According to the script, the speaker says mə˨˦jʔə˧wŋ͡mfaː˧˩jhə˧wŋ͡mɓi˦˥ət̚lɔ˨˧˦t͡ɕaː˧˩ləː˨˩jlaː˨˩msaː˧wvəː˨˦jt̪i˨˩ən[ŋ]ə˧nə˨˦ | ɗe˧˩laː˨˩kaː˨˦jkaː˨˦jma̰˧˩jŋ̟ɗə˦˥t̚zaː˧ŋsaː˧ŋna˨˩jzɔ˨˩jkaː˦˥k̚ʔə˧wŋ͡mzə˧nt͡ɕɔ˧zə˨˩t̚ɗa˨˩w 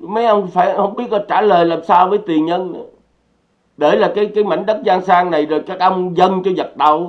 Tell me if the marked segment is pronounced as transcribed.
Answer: no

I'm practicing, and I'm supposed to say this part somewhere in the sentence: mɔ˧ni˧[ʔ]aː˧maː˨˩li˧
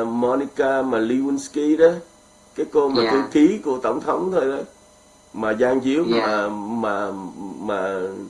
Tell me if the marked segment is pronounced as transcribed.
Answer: no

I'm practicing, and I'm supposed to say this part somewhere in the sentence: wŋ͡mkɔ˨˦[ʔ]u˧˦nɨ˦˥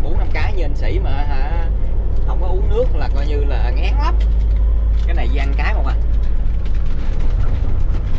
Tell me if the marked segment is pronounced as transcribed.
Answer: yes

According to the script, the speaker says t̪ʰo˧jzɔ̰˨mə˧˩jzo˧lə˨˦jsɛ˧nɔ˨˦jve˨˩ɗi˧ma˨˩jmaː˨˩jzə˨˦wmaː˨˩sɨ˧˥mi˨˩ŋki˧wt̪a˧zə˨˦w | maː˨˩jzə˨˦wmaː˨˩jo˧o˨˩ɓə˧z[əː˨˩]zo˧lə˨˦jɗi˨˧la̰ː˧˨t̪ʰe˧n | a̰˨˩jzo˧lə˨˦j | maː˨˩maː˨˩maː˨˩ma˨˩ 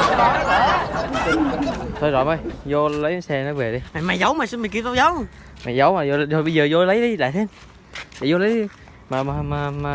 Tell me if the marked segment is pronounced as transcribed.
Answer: yes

